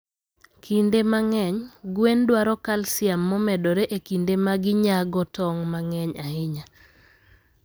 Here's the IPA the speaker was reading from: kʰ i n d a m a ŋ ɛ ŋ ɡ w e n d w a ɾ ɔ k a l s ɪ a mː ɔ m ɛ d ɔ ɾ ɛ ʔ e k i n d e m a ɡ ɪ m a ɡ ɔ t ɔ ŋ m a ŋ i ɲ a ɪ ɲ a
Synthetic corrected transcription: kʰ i n d e m a ŋ ɛ ɲ ɡ w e n d w a ɾ ɔ k a l s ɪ a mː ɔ m ɛ d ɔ ɾ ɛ ʔ e k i n d e m a ɡ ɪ ɲ a ɡ ɔ t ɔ ŋ m a ŋ ɛ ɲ a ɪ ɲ a